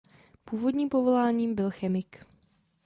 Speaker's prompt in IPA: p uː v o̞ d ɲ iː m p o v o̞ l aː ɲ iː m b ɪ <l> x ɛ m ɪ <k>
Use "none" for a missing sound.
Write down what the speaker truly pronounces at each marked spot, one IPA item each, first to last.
l, k

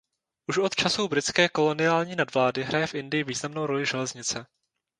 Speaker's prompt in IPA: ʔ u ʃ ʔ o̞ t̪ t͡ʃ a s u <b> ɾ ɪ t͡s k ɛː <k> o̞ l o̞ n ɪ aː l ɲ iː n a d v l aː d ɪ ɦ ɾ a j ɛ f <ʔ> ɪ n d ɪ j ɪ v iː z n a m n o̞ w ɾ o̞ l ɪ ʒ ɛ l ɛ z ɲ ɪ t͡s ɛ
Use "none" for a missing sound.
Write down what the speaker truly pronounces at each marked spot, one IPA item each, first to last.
b, k, ʔ

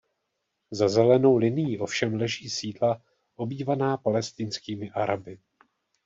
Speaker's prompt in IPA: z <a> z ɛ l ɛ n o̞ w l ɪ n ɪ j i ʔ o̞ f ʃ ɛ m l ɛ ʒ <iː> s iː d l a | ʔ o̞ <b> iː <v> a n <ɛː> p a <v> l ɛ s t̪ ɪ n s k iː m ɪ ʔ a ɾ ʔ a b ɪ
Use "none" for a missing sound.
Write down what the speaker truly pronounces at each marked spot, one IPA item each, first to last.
a, iː, b, v, aː, none

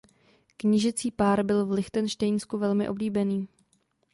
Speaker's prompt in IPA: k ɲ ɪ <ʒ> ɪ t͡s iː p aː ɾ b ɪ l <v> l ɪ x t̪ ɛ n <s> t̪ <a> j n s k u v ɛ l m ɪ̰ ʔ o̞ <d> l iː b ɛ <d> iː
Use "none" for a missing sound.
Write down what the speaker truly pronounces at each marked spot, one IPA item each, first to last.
ʒ, v, ʃ, ɛ, b, n

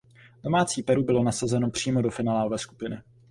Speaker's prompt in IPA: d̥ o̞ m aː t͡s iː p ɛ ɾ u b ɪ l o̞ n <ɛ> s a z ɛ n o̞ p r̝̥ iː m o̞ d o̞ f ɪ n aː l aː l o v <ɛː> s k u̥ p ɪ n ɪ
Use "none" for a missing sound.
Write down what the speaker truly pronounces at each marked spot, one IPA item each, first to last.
a, ɛː

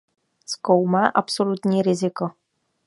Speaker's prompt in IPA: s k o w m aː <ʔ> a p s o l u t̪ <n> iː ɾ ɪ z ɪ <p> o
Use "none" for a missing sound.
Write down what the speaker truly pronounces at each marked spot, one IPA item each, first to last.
ʔ, ɲ, k

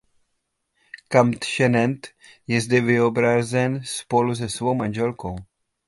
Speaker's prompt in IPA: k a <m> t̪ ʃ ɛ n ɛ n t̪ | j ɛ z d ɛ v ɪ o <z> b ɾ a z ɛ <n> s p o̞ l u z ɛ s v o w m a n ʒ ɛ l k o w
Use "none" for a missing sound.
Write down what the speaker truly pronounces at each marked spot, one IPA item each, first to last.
m, none, n

